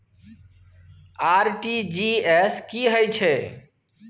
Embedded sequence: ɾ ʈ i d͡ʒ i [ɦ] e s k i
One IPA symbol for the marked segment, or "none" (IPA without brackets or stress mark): none